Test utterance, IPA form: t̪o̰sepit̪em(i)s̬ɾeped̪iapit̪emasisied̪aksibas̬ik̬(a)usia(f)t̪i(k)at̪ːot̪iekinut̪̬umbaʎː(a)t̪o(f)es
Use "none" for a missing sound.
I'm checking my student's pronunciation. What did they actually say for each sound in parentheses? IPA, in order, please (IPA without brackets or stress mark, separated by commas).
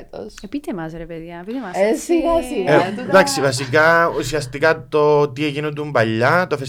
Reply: a, a, s, k, a, f